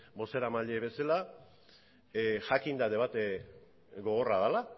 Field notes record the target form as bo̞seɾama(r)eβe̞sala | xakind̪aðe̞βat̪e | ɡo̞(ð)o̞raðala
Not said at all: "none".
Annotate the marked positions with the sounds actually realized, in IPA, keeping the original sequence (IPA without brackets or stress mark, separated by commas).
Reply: ʎ, ɣ